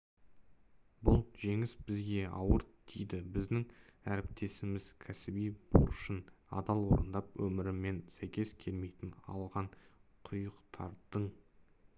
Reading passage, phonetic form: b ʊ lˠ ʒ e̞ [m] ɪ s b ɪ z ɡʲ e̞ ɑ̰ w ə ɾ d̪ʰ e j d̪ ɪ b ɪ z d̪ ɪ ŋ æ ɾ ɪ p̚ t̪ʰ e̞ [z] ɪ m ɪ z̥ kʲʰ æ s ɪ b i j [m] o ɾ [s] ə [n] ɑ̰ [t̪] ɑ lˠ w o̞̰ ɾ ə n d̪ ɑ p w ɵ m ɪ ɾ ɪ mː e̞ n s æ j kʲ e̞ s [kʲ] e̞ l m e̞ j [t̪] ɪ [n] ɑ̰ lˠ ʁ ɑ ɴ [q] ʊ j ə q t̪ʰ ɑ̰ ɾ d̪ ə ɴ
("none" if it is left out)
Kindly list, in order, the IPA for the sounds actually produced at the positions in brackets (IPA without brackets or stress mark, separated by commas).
ŋ, s, b, ʃ, n, d̪, kʲʰ, t̪, n, qʰ